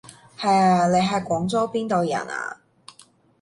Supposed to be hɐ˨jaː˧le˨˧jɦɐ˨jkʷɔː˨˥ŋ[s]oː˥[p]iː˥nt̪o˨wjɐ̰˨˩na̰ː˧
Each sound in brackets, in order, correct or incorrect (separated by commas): incorrect, correct